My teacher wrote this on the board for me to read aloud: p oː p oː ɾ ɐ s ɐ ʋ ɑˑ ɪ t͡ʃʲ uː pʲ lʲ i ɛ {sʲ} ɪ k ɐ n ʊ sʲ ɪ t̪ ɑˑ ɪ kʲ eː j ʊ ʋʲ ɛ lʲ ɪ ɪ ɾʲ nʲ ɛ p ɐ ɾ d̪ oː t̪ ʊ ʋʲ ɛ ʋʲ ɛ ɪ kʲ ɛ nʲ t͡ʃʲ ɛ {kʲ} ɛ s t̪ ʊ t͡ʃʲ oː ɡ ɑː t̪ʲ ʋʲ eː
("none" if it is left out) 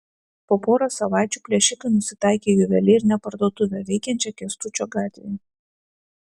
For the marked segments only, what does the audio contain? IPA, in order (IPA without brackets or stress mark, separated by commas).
ʃʲ, kʲ